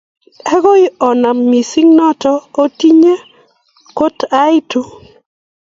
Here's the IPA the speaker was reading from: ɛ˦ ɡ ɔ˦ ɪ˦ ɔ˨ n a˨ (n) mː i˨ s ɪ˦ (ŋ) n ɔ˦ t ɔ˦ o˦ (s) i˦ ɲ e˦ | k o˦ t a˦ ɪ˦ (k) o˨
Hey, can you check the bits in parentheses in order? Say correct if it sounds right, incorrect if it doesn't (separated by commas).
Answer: incorrect, correct, incorrect, incorrect